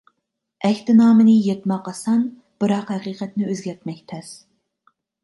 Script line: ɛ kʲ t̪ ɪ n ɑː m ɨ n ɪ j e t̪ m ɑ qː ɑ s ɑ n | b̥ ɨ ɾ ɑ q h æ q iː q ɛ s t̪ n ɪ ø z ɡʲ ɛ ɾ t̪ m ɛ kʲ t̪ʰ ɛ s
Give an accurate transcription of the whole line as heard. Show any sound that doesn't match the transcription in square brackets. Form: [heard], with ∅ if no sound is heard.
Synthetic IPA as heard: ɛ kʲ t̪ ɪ n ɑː m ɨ n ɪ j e t̪ m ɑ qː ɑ s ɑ n | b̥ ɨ ɾ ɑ q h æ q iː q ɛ [∅] t̪ n ɪ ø z ɡʲ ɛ ɾ t̪ m ɛ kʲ t̪ʰ ɛ s